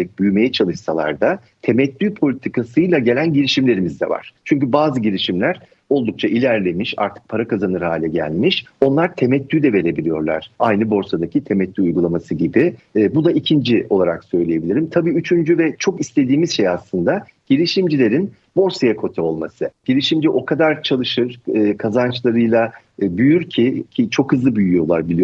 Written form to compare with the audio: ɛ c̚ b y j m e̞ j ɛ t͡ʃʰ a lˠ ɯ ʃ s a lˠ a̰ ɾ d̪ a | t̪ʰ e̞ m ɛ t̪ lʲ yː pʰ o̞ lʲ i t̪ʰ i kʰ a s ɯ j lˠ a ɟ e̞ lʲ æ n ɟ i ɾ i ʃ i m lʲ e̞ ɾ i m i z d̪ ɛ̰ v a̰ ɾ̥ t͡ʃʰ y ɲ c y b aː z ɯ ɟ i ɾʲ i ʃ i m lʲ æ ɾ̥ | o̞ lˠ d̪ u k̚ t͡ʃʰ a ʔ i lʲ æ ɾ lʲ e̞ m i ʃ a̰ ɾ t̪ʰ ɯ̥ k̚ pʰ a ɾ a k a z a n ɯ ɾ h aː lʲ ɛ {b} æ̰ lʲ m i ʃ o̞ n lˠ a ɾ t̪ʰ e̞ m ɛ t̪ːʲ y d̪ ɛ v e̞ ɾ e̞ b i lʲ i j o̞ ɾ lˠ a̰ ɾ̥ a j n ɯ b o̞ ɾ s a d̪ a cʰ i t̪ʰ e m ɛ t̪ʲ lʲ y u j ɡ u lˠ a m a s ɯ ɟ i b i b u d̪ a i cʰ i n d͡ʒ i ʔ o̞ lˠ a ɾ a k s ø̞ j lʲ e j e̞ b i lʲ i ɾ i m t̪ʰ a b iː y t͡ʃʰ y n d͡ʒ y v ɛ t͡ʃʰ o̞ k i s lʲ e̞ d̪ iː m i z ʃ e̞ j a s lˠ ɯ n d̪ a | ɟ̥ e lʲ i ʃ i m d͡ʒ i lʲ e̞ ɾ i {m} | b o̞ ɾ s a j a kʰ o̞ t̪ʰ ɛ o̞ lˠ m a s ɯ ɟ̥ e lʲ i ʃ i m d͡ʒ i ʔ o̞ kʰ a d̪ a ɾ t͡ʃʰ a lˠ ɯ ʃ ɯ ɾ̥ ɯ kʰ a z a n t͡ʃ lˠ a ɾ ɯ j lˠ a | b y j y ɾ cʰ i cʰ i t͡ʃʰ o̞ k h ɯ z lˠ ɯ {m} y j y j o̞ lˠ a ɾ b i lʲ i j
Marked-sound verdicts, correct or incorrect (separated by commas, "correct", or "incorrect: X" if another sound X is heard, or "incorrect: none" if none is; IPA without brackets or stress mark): incorrect: ɟ, incorrect: n, incorrect: b